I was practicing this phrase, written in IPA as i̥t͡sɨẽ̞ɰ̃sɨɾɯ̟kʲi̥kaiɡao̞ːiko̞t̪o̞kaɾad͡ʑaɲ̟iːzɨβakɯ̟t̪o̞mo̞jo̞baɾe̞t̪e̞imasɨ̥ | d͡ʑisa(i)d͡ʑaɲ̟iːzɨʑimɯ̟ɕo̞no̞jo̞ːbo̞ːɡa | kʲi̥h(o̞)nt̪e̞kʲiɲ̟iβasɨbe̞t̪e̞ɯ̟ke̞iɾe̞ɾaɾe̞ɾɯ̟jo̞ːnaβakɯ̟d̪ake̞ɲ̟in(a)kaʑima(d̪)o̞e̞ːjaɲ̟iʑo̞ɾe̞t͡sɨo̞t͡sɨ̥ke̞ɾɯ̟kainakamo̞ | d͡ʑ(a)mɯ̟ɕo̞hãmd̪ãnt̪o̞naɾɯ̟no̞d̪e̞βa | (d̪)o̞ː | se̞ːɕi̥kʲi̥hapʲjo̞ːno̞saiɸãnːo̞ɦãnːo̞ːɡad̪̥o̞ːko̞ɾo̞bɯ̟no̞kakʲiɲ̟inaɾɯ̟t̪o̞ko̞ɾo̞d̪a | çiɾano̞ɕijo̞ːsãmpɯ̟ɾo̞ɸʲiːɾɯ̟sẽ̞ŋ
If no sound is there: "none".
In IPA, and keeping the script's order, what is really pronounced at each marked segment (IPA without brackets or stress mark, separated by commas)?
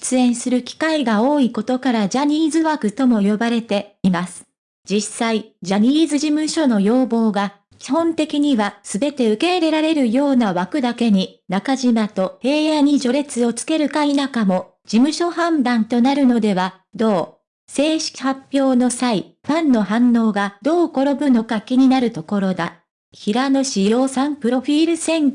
i, õ̞, a, t̪, i, d̪